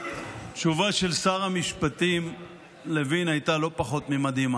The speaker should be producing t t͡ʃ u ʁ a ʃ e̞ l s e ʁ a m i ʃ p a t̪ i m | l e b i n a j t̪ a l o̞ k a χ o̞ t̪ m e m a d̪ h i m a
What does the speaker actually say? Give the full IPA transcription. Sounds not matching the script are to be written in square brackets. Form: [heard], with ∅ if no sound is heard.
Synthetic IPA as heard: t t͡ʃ u [v] a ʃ e̞ l s [a] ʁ a m i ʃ p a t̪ i m | l e [v] i n a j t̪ a l o̞ [p] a χ o̞ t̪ m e m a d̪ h i m a